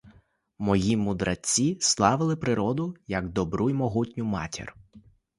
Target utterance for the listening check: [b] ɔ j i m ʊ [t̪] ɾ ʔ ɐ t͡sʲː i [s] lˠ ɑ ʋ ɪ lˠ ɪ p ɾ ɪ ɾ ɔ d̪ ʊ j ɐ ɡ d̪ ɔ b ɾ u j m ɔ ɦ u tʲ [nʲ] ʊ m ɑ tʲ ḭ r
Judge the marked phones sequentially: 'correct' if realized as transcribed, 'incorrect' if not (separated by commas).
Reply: incorrect, incorrect, correct, correct